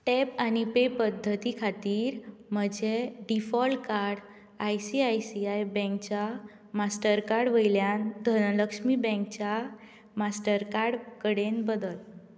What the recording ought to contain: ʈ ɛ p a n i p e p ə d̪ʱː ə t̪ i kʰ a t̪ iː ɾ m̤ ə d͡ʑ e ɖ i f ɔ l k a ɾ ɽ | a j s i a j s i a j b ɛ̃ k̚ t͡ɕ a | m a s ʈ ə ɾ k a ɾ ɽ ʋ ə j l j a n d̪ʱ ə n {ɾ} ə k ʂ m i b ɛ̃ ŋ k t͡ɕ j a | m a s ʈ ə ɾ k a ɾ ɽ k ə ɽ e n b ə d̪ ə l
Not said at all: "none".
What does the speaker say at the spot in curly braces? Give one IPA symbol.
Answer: l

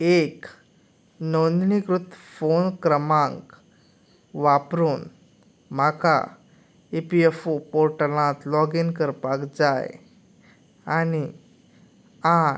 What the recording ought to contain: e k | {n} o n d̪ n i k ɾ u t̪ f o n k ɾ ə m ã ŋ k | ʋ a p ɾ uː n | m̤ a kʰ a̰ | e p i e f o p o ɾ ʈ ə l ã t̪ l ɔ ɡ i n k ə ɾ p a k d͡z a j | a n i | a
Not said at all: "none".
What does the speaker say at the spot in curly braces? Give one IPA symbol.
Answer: n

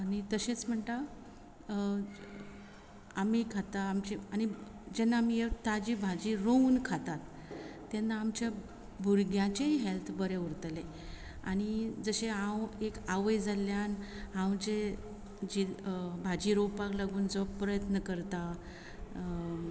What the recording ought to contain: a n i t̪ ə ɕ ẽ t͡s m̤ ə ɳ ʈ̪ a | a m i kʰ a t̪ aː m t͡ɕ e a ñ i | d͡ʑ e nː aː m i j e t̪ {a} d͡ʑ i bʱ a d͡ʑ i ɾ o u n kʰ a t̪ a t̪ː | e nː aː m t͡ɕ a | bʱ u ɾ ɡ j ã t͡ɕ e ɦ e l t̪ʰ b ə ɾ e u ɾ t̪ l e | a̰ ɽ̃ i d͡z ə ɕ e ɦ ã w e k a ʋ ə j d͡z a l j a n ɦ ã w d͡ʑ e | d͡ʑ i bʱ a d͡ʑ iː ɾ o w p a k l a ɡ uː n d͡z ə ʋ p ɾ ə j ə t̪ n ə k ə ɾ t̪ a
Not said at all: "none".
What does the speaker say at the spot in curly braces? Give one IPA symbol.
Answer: a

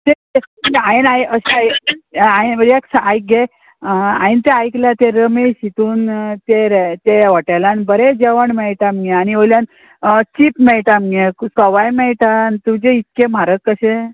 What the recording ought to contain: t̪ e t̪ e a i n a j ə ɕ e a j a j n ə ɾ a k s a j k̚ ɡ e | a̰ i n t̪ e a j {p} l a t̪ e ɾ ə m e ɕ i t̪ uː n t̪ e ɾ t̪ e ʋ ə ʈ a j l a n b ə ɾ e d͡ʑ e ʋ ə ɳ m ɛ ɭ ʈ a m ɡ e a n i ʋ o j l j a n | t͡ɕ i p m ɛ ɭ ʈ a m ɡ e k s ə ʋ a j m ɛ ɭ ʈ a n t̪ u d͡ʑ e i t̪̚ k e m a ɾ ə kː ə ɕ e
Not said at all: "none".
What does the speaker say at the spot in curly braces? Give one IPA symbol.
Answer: k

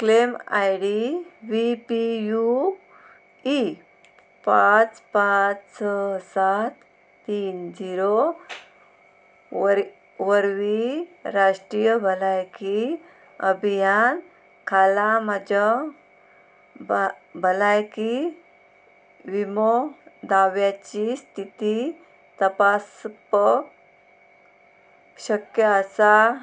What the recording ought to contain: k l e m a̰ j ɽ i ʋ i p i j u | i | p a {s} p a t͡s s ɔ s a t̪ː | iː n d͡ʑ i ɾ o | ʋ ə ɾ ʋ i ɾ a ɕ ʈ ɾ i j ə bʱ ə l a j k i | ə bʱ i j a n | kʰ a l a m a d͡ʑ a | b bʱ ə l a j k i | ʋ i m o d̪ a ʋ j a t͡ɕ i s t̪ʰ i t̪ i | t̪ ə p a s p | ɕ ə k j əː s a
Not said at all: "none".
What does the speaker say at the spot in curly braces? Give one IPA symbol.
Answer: t͡s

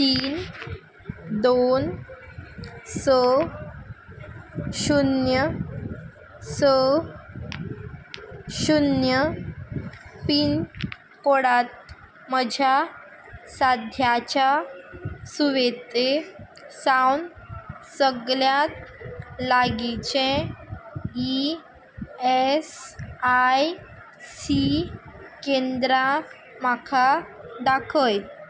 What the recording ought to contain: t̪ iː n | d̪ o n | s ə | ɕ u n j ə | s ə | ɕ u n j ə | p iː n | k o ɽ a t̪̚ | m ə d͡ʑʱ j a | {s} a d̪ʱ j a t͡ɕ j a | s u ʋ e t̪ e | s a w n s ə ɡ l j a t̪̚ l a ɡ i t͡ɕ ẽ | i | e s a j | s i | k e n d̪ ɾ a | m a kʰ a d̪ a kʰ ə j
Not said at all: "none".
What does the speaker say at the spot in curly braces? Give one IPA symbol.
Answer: s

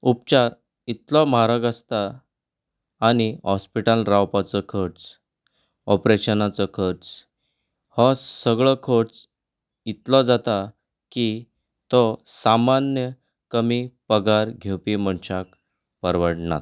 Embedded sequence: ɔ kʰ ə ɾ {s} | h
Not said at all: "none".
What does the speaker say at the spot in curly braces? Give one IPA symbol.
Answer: t͡s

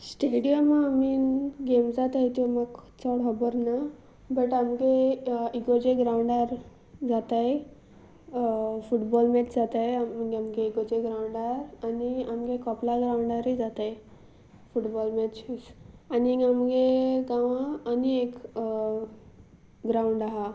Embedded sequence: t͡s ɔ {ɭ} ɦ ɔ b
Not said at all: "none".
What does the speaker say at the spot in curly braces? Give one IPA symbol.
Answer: ɽ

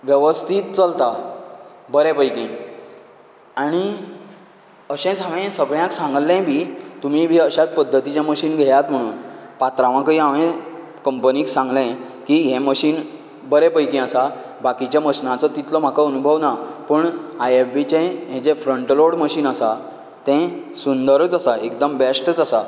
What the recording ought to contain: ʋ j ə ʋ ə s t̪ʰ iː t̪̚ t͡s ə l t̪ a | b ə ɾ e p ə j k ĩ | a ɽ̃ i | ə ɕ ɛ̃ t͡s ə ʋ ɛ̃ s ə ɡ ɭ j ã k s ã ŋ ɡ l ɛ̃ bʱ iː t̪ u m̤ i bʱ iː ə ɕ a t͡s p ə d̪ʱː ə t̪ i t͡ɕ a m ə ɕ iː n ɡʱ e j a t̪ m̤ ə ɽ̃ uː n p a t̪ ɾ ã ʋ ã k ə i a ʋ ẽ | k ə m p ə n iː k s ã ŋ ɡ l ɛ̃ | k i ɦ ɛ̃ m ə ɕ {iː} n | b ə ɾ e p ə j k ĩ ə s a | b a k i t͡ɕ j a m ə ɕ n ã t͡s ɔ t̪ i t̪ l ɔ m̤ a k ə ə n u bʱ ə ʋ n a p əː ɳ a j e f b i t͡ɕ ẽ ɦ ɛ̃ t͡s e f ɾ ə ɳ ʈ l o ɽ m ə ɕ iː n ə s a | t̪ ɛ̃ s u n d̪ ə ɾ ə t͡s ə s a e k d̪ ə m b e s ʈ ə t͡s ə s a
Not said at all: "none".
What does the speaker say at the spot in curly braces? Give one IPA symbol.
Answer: iː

